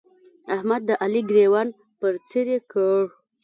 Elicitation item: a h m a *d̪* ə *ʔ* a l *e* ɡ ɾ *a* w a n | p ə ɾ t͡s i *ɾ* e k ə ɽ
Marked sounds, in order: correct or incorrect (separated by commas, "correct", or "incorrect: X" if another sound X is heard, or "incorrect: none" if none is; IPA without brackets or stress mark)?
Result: incorrect: d̪ː, correct, incorrect: i, incorrect: e, correct